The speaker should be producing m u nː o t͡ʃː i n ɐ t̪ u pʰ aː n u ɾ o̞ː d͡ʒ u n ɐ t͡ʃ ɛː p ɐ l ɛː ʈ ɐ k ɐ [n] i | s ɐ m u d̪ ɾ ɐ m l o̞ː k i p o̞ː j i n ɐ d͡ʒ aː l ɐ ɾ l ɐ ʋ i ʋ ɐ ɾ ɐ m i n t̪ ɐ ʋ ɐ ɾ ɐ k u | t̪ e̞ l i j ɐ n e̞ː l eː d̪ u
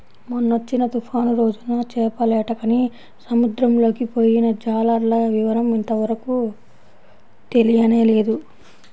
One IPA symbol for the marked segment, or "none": n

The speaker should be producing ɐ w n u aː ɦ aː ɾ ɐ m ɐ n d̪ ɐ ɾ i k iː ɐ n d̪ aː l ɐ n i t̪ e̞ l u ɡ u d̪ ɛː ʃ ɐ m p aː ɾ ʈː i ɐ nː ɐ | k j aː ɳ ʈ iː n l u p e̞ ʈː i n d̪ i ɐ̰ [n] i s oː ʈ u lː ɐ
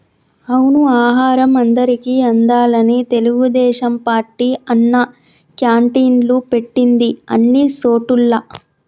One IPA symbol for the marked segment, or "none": nː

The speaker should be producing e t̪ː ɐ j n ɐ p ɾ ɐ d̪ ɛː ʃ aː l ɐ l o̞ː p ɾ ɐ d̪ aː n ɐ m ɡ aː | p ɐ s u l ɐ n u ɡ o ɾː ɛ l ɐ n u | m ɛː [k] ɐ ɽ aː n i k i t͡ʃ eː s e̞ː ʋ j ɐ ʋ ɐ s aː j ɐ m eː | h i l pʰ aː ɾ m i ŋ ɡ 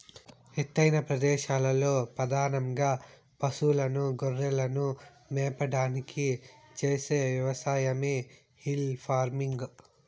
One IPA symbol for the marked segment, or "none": p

